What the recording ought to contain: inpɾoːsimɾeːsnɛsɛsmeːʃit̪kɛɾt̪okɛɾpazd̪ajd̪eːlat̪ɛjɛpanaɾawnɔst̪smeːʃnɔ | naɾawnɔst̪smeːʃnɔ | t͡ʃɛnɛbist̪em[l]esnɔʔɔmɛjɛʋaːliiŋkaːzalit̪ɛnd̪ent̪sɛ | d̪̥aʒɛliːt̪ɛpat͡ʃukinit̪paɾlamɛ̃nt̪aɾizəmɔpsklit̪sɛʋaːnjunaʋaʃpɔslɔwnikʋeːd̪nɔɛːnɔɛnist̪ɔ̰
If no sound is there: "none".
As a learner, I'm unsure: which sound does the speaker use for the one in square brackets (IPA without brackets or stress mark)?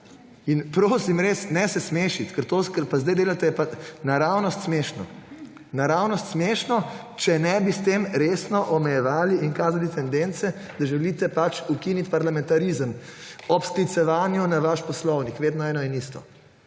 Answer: ɾ